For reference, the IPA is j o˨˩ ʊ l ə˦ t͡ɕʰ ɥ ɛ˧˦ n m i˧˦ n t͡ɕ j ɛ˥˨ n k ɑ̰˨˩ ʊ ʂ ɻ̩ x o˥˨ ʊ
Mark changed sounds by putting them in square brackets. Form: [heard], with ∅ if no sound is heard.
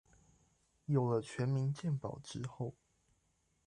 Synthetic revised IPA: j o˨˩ ʊ l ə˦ t͡ɕʰ ɥ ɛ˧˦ n m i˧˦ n t͡ɕ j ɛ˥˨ n [p] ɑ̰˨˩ ʊ [ʈ͡ʂ] ɻ̩ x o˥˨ ʊ